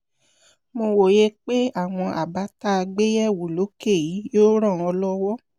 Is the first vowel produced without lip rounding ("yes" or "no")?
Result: no